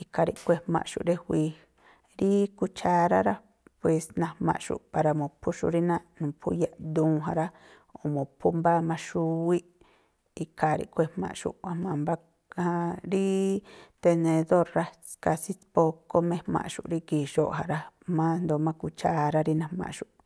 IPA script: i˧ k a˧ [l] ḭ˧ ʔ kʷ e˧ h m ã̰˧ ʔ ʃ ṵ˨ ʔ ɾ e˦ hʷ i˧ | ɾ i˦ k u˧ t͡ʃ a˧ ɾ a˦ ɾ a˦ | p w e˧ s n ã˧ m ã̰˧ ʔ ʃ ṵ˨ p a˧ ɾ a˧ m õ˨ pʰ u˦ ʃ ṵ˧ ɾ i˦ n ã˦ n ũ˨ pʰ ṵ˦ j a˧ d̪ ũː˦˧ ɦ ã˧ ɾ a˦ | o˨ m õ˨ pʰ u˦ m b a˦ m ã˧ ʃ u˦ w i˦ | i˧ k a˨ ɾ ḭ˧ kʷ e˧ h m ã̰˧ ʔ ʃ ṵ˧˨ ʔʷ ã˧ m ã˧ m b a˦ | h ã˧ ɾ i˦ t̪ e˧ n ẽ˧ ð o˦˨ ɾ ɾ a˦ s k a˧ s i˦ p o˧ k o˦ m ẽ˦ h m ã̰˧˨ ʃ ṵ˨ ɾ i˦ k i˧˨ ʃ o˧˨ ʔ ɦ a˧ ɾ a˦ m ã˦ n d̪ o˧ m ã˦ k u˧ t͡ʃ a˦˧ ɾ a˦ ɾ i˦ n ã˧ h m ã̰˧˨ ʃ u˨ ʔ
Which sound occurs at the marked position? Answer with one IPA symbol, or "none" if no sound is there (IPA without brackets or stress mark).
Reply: ɾ